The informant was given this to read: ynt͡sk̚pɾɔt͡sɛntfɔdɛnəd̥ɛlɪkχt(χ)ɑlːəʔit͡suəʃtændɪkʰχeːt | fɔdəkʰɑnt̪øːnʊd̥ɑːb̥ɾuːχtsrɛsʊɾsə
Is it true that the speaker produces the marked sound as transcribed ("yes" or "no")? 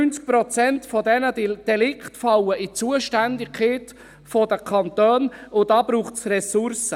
no